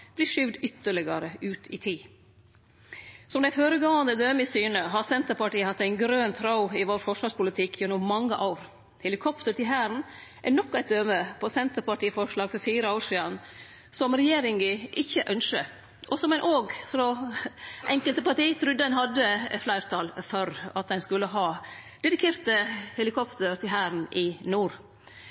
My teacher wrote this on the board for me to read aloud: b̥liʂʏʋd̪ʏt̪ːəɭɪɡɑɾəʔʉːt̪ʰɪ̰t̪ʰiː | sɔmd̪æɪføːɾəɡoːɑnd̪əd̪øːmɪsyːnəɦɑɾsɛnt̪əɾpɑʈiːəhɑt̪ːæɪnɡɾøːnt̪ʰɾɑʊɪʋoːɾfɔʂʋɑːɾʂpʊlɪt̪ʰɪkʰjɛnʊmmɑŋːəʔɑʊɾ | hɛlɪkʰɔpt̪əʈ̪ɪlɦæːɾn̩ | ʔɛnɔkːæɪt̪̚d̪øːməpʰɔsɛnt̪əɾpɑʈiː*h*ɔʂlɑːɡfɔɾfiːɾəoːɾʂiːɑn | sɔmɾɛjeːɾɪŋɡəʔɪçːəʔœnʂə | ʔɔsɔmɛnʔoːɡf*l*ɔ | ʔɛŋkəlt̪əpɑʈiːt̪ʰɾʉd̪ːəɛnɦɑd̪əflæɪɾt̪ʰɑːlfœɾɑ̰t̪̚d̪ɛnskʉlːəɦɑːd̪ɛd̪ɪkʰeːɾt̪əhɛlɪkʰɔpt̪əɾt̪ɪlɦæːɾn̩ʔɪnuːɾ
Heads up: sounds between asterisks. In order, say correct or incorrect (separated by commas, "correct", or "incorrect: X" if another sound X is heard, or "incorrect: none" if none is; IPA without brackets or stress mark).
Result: incorrect: f, incorrect: ɾ